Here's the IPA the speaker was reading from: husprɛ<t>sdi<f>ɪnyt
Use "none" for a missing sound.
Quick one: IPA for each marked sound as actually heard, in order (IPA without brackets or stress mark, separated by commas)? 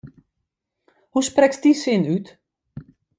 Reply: k, s